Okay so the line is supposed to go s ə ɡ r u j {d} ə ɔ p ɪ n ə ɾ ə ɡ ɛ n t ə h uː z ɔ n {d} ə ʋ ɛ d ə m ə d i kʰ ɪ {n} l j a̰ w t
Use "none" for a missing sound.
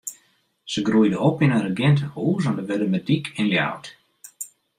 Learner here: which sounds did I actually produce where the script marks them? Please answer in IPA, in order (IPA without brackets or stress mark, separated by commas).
d, d, n